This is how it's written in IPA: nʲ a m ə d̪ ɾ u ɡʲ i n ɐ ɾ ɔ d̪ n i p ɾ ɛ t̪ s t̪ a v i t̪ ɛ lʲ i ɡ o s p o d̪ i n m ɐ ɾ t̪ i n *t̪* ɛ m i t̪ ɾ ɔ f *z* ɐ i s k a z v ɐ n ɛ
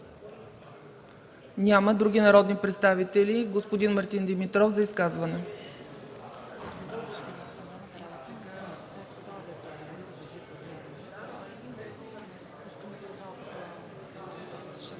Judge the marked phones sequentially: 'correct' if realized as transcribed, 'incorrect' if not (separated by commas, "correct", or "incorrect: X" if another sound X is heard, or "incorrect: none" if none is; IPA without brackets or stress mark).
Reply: incorrect: d̪, correct